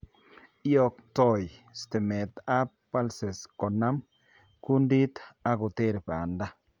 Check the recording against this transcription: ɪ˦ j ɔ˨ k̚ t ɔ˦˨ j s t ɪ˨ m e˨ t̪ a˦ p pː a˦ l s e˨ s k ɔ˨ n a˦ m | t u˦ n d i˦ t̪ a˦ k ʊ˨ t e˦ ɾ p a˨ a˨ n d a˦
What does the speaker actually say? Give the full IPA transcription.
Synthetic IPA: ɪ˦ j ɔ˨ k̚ t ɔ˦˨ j s t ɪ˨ m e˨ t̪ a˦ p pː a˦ l s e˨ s k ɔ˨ n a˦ m | k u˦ n d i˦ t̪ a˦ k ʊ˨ t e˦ ɾ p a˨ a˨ n d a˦